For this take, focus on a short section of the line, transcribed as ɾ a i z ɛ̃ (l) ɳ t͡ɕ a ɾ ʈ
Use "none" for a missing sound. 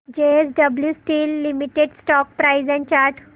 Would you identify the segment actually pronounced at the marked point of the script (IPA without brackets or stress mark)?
none